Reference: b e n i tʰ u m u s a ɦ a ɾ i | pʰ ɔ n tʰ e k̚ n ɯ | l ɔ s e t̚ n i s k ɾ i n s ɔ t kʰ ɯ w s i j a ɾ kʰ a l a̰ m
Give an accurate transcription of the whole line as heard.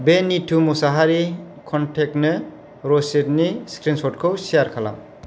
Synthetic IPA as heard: b e n i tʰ u m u s a ɦ a ɾ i | kʰ ɔ n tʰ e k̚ n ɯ | ɾ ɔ s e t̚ n i s k ɾ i n s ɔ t kʰ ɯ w s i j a ɾ kʰ a l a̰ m